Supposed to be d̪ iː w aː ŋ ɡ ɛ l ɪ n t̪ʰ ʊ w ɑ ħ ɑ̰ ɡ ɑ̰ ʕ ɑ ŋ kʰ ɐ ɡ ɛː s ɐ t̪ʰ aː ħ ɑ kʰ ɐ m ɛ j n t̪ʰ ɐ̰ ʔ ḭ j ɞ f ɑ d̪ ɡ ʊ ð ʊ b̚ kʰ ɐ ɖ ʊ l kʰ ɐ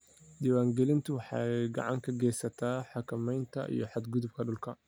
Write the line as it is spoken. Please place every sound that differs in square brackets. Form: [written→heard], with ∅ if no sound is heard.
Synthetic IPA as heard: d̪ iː w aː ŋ ɡ ɛ l ɪ n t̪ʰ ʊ w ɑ ħ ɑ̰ ɡ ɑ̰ ʕ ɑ ŋ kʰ ɐ ɡ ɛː s ɐ t̪ʰ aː ħ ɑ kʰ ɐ m ɛ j n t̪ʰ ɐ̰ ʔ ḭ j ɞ [f→ħ] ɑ d̪ ɡ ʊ ð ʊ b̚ kʰ ɐ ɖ ʊ l kʰ ɐ